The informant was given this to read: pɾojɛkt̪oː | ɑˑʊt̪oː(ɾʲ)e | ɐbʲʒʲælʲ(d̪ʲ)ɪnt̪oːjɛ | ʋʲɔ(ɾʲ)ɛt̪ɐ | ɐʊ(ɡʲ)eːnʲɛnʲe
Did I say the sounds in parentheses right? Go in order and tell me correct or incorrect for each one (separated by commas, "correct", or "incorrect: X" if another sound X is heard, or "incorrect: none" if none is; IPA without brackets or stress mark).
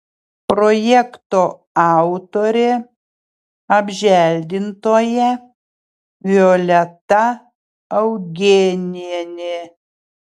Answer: correct, correct, incorrect: lʲ, correct